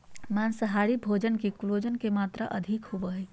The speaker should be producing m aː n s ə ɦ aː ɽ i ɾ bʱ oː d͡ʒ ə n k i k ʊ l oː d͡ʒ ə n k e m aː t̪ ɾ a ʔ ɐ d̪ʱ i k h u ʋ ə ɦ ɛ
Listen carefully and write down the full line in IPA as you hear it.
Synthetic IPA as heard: m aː n s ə ɦ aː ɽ i bʱ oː d͡ʒ ə n k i k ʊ l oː d͡ʒ ə n k e m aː t̪ ɾ a ʔ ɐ d̪ʱ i k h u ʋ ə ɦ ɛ